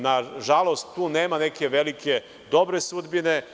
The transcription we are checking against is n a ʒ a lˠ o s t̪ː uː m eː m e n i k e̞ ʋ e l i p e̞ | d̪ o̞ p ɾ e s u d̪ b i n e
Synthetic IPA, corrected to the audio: n a ʒ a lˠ o s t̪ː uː n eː m a n e k e̞ ʋ e l i k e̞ | d̪ o̞ b ɾ e s u d̪ b i n e